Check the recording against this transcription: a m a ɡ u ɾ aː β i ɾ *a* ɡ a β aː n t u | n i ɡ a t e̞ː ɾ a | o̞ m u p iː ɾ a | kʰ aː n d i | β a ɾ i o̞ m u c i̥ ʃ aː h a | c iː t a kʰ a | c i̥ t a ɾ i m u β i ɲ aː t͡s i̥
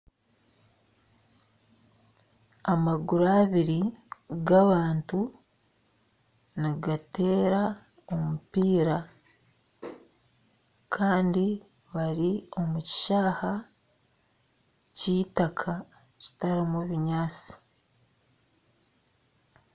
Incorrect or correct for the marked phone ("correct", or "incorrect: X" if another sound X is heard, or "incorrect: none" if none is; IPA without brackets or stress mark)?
incorrect: i